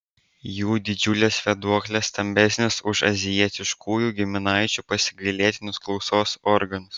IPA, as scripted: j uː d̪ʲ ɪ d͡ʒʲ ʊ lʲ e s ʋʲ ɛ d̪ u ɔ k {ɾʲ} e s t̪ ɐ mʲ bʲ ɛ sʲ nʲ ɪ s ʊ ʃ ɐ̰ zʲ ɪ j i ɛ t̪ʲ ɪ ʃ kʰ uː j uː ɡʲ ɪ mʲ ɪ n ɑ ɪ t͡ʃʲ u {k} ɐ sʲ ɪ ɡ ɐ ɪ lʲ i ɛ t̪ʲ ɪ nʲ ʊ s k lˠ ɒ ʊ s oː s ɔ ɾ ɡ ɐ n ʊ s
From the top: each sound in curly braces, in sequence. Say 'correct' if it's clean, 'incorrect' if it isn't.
incorrect: lʲ, incorrect: p

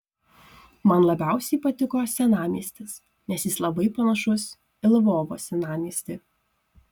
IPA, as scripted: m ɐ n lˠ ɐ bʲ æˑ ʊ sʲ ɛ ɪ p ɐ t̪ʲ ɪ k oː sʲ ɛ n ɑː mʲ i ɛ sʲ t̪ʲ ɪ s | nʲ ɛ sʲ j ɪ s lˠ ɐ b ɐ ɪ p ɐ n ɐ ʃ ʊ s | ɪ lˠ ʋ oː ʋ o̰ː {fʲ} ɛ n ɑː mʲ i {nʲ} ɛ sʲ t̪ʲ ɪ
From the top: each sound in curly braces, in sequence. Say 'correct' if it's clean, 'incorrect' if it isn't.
incorrect: sʲ, incorrect: none

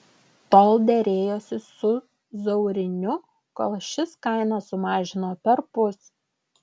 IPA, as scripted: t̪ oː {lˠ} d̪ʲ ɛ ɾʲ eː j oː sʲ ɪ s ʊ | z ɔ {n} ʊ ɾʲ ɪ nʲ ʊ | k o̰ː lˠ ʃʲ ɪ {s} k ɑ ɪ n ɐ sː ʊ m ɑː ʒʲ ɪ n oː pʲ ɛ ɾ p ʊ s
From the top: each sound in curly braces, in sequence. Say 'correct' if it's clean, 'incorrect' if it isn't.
correct, incorrect: none, correct

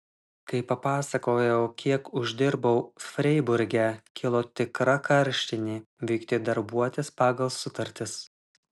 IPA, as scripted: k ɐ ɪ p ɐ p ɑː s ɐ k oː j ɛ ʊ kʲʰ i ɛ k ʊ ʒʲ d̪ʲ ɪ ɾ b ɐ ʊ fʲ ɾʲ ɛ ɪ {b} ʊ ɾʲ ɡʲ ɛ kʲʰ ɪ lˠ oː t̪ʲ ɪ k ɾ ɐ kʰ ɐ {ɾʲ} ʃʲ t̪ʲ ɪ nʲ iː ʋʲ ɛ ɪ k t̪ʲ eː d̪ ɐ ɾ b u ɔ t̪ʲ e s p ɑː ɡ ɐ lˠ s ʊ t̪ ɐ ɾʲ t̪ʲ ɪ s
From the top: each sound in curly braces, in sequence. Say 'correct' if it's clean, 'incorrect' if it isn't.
correct, correct

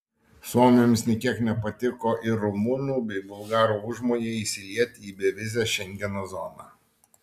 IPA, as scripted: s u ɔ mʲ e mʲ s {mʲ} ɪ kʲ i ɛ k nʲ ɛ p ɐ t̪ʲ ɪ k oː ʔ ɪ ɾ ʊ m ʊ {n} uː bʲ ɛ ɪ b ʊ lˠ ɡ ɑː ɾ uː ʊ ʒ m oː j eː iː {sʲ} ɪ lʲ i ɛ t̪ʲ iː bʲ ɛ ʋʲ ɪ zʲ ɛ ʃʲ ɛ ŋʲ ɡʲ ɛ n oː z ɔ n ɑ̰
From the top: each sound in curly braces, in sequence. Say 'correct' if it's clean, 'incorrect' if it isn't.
incorrect: nʲ, correct, correct

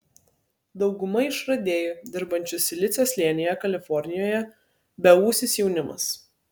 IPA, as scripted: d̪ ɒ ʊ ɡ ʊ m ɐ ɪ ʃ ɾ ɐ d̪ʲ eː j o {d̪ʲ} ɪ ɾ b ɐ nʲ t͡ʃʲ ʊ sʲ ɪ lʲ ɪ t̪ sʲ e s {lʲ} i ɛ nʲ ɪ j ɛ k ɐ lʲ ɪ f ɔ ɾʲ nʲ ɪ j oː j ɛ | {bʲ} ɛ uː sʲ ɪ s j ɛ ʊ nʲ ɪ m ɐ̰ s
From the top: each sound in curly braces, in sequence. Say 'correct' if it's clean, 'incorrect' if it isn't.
correct, correct, correct

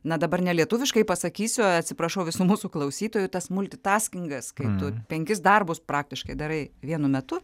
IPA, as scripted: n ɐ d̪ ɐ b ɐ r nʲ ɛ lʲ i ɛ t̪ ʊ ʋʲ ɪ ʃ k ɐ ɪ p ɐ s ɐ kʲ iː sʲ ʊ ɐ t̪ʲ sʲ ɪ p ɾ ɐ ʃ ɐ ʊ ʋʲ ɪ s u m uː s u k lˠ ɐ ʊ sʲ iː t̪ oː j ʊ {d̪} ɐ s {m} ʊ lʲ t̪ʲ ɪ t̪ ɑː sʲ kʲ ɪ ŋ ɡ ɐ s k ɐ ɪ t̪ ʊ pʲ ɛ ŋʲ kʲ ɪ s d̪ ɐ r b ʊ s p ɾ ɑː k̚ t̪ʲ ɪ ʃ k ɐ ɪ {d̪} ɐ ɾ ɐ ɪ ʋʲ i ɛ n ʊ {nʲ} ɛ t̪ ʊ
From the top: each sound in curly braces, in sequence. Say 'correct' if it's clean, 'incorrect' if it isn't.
incorrect: t̪, correct, correct, incorrect: mʲ

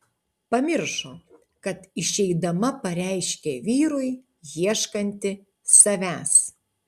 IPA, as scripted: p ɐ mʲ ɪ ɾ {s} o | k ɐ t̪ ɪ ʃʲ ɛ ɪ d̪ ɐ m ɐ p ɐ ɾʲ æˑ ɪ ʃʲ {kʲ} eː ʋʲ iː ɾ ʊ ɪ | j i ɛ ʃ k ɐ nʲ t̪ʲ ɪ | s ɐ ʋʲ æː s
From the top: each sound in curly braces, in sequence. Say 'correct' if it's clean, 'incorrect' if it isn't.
incorrect: ʃ, correct

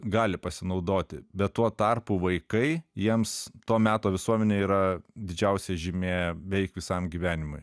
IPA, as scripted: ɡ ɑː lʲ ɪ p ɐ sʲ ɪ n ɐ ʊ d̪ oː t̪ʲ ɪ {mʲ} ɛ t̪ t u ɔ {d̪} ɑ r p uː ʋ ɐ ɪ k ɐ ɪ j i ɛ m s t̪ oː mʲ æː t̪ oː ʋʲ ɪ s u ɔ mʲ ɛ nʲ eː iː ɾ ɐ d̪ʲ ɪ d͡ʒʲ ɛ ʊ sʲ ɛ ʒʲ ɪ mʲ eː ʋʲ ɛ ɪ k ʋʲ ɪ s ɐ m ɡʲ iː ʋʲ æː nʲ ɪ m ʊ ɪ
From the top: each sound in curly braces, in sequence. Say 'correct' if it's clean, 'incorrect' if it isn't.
incorrect: bʲ, incorrect: t̪

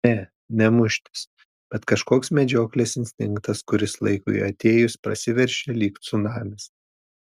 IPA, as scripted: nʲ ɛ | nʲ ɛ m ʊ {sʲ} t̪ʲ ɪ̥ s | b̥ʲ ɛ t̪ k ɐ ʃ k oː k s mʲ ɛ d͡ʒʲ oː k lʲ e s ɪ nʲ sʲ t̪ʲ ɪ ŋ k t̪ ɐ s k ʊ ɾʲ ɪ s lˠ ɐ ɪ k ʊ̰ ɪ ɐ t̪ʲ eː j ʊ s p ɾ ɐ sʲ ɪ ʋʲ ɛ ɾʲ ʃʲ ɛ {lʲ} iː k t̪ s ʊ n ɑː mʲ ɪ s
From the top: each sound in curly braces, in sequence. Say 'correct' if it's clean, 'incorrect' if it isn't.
incorrect: ʃʲ, correct

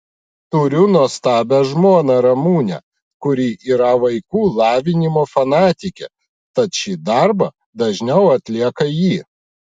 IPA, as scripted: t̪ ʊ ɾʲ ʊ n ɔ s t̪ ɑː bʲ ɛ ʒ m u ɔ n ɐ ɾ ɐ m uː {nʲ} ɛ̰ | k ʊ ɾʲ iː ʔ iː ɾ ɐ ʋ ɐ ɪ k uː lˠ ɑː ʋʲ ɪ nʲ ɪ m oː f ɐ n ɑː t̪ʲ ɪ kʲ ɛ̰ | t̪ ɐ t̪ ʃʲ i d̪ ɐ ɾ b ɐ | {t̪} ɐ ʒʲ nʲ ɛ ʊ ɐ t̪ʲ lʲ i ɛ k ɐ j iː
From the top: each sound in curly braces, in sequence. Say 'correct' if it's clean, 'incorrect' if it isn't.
correct, incorrect: d̪

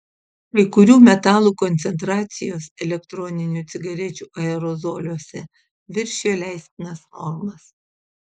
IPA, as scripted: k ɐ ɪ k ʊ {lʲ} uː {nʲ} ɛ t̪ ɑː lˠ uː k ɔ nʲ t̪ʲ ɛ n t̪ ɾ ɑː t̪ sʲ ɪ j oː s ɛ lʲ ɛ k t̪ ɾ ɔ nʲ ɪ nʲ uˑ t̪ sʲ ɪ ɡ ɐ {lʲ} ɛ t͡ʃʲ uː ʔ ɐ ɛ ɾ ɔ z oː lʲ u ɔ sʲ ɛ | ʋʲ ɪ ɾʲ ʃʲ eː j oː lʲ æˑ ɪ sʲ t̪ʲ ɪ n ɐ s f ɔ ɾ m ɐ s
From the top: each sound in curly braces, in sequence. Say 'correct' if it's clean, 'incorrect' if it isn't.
incorrect: ɾʲ, incorrect: mʲ, incorrect: ɾʲ

